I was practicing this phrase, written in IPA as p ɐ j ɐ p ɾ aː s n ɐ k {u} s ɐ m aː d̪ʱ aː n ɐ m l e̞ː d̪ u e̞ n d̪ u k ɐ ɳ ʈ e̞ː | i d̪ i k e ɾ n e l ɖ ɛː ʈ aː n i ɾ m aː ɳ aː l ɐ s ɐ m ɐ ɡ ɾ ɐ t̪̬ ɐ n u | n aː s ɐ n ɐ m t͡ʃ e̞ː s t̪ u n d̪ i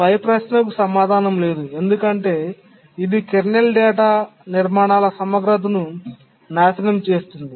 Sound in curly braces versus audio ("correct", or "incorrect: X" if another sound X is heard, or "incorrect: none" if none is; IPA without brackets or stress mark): correct